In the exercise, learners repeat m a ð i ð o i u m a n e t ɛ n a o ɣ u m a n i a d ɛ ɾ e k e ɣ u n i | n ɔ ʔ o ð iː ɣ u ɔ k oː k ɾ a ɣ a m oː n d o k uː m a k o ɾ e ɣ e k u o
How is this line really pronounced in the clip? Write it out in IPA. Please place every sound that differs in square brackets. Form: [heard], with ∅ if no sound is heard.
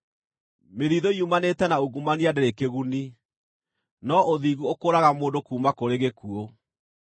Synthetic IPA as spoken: m [e] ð i ð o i u m a n e t ɛ n a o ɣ u m a n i a d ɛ ɾ e k e ɣ u n i | n ɔ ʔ o ð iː ɣ u [o] k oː [∅] ɾ a ɣ a m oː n d o k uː m a k o ɾ e ɣ e k u o